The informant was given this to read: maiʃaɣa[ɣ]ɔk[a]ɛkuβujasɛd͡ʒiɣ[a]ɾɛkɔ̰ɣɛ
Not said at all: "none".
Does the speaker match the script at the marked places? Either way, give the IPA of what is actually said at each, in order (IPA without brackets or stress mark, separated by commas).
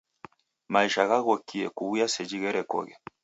ɣ, i, ɛ